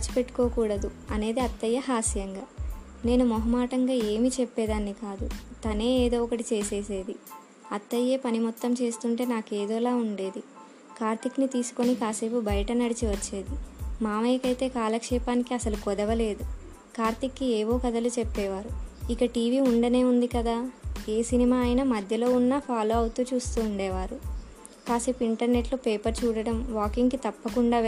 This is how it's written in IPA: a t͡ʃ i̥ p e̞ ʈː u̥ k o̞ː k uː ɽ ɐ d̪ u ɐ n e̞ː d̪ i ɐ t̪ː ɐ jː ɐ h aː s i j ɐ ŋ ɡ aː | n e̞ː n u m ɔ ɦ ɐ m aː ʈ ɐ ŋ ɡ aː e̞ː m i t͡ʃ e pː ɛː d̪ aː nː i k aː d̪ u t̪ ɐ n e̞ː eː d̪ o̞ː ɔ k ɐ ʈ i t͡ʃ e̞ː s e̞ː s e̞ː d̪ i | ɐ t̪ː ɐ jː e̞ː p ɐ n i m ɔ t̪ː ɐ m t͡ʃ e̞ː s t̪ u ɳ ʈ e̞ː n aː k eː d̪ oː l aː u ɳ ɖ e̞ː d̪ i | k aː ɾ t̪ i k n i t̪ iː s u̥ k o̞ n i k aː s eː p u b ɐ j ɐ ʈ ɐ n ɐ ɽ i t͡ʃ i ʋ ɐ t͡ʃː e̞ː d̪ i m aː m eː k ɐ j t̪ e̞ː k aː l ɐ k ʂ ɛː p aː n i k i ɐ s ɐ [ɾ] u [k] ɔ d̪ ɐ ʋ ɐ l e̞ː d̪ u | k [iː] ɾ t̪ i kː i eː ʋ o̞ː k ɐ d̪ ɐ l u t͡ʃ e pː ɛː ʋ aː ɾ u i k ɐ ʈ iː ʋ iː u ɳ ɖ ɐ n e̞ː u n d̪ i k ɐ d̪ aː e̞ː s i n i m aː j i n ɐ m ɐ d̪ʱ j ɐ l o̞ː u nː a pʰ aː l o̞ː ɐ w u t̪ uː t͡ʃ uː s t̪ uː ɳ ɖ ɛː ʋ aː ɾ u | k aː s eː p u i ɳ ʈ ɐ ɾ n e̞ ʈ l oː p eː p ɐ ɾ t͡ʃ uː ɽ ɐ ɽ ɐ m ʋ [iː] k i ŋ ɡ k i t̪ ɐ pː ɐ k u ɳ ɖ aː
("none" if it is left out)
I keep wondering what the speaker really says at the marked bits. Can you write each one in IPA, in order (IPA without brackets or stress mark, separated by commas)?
l, k, aː, aː